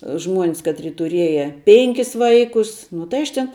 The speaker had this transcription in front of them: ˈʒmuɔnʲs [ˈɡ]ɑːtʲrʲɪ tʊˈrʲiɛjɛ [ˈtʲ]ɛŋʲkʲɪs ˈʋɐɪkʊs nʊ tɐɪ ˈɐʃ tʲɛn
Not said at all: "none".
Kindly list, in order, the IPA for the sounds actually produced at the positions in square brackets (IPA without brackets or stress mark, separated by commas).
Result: k, pʲ